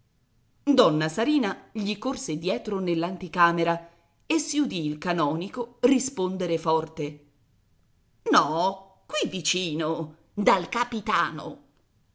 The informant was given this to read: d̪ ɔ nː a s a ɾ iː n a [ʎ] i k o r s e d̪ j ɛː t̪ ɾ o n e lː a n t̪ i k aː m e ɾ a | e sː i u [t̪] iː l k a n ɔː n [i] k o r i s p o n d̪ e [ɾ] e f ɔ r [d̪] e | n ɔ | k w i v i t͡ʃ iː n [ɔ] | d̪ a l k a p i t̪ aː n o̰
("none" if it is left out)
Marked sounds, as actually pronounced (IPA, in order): ʎ, d̪, i, ɾ, t̪, o

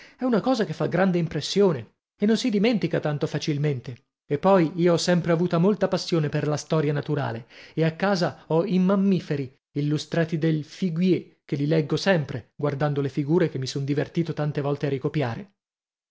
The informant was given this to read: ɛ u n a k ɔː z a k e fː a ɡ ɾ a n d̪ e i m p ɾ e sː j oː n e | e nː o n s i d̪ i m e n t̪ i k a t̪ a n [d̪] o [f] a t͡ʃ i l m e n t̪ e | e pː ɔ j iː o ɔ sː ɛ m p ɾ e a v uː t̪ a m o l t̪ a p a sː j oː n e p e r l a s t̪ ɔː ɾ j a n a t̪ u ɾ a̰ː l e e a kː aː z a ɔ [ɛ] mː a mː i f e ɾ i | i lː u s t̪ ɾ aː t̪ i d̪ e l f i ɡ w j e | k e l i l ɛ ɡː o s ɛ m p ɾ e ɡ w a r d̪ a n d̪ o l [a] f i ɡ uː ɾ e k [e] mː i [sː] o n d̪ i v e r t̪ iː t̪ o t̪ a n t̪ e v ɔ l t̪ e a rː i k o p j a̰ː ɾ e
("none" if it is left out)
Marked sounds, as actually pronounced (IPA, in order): t̪, f, i, e, e, s

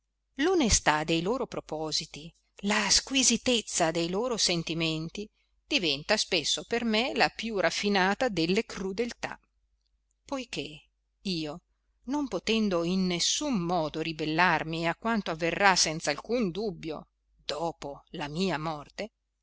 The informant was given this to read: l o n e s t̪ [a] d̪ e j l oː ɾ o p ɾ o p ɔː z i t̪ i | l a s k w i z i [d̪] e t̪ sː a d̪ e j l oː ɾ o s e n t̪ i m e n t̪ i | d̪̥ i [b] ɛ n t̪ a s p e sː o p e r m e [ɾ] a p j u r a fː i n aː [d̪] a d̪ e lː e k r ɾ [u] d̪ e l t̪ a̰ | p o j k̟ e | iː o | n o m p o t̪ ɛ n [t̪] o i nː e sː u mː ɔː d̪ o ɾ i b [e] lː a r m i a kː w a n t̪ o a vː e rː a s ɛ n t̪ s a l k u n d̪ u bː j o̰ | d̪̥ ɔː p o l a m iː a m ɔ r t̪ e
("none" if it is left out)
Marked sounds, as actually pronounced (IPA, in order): a, t̪, v, l, t̪, u, d̪, e

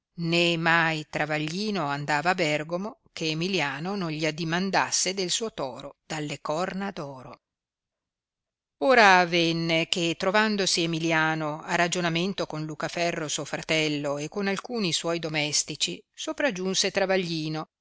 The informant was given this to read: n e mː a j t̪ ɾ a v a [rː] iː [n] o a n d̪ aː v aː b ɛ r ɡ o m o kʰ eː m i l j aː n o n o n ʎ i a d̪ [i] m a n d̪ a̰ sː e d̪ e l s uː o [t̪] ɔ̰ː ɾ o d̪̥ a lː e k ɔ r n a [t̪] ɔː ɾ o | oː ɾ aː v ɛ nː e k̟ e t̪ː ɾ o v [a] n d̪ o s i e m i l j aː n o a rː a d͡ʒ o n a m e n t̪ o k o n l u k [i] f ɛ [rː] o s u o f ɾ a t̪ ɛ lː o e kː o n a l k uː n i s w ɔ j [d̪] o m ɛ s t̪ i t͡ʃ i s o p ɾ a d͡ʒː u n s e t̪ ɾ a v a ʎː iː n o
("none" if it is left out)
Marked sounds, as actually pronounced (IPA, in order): ʎː, n, i, t̪, d̪, a, a, rː, d̪

